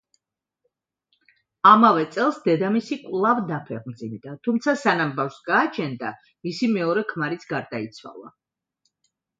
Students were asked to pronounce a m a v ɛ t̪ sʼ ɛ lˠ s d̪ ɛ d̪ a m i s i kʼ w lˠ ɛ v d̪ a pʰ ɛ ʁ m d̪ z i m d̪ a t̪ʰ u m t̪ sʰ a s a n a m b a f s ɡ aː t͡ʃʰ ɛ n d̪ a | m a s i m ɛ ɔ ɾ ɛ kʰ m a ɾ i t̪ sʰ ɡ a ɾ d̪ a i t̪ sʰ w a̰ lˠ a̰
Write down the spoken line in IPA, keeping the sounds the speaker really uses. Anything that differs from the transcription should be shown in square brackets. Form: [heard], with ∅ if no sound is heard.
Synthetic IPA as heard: a m a v ɛ t̪ sʼ ɛ lˠ s d̪ ɛ d̪ a m i s i kʼ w lˠ [a] v d̪ a pʰ ɛ ʁ m d̪ z i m d̪ a t̪ʰ u m t̪ sʰ a s a n a m b a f s ɡ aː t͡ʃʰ ɛ n d̪ a | m [i] s i m ɛ ɔ ɾ ɛ kʰ m a ɾ i t̪ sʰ ɡ a ɾ d̪ a i t̪ sʰ w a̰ lˠ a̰